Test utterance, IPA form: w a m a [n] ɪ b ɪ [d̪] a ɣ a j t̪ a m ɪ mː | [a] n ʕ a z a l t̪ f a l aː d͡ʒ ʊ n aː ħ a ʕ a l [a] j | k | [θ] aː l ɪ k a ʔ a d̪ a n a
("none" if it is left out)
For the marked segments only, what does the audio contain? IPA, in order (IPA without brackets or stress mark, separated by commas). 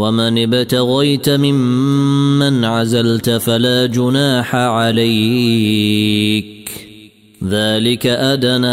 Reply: n, t̪, a, a, ð